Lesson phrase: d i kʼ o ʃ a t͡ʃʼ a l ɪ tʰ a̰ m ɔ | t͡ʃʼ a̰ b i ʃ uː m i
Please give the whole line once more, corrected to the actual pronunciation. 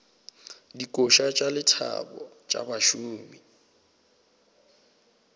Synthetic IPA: d i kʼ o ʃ a t͡ʃʼ a l ɪ tʰ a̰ b ɔ | t͡ʃʼ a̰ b a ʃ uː m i

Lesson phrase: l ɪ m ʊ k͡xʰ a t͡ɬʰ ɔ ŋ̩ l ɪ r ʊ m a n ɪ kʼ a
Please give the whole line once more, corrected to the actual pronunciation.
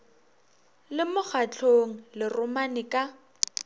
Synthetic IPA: l ɪ m ʊ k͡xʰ a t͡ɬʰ o ŋ̩ l ɪ r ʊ m a n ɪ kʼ a

